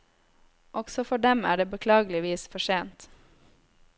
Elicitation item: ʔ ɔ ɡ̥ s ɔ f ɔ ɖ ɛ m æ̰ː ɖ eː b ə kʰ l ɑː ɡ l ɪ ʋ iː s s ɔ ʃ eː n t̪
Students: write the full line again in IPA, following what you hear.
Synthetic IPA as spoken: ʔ ɔ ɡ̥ s ɔ f ɔ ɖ ɛ m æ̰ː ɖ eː b ə kʰ l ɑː ɡ l ɪ ʋ iː s f ɔ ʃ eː n t̪